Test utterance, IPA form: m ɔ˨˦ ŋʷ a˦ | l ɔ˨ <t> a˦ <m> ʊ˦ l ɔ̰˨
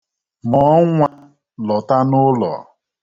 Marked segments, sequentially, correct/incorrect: correct, incorrect

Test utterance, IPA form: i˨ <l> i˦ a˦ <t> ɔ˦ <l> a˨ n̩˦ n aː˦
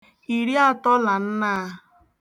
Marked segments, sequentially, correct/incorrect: incorrect, correct, correct

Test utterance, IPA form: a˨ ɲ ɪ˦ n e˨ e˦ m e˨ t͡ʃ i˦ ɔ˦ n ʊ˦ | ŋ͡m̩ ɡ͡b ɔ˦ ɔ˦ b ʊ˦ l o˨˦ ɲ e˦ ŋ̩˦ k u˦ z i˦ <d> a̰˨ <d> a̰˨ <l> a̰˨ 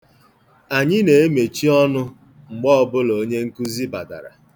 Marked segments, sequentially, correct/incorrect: incorrect, correct, incorrect

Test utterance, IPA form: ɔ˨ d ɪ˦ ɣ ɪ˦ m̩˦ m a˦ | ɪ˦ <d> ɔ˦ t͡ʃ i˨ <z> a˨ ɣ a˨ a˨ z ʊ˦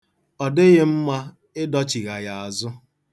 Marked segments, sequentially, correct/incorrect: correct, incorrect

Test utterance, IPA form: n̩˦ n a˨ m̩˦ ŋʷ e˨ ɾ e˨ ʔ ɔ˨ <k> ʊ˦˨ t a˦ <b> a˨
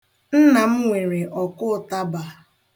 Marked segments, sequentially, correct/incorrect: correct, correct

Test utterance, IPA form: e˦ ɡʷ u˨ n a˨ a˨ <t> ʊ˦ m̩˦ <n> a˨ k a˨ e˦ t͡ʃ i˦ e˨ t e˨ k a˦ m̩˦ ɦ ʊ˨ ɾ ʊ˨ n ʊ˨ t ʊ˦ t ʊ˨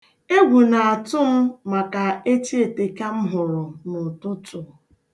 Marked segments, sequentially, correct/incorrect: correct, incorrect

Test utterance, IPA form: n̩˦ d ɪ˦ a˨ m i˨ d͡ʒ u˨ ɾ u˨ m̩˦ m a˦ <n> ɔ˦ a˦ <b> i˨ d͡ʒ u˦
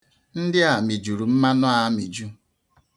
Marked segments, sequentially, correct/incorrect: correct, incorrect

